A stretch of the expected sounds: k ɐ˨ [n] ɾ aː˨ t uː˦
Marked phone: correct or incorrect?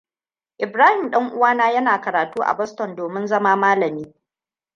incorrect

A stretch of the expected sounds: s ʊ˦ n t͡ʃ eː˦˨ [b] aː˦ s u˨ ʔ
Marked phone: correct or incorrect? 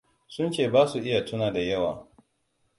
correct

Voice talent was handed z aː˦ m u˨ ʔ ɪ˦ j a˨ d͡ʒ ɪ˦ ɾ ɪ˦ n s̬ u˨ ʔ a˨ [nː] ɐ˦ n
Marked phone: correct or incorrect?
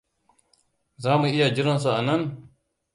incorrect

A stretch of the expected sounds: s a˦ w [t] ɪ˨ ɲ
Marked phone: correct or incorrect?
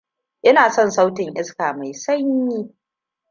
correct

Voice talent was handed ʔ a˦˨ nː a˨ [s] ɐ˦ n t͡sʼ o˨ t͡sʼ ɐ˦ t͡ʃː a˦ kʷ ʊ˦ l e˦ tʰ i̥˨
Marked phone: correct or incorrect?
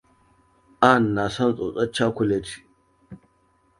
correct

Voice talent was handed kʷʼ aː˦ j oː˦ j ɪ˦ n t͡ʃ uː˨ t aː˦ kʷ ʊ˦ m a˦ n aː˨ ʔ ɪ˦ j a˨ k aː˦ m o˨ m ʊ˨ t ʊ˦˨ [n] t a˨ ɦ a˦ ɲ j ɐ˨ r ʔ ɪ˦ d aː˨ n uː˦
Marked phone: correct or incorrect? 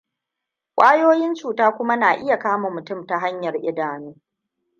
incorrect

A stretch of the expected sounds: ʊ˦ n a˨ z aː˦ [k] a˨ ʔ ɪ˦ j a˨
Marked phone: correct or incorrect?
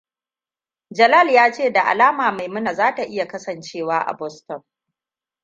incorrect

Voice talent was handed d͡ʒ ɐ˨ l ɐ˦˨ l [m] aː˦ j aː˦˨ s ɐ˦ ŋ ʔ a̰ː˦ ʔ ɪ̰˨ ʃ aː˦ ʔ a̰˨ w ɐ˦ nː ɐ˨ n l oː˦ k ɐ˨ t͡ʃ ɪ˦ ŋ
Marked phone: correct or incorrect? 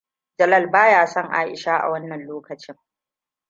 incorrect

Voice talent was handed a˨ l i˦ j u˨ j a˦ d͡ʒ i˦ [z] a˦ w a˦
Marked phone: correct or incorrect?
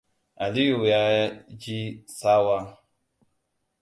incorrect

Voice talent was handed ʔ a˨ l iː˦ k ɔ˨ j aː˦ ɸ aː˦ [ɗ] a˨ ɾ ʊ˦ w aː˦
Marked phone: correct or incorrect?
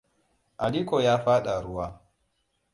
correct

